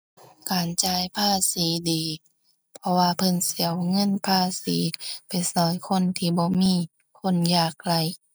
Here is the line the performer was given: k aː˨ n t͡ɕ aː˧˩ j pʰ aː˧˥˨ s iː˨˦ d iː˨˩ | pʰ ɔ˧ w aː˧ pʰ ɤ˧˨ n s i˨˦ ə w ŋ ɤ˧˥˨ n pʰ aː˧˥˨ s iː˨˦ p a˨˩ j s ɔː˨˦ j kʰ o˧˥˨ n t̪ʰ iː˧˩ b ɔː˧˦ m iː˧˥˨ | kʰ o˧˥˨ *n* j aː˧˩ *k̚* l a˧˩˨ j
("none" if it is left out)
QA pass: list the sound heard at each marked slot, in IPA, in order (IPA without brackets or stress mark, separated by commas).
n, k̚